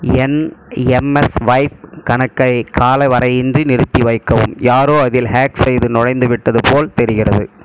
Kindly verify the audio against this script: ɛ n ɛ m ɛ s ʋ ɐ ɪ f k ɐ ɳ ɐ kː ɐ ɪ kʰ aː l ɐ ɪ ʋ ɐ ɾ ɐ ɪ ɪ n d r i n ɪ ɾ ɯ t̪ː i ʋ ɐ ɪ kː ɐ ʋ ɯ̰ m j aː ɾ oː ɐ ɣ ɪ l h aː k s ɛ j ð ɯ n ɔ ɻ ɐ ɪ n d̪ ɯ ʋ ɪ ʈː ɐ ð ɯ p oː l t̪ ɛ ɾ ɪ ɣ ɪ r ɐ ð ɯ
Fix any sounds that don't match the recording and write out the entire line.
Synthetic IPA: ɛ n ɛ m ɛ s ʋ ɐ ɪ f k ɐ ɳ ɐ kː ɐ ɪ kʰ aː l ɐ ɪ ʋ ɐ ɾ ɐ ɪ ɪ n d r i n ɪ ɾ ɯ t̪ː i ʋ ɐ ɪ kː ɐ ʋ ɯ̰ m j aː ɾ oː ɐ ð ɪ l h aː k s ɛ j ð ɯ n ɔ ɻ ɐ ɪ n d̪ ɯ ʋ ɪ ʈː ɐ ð ɯ p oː l t̪ ɛ ɾ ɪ ɣ ɪ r ɐ ð ɯ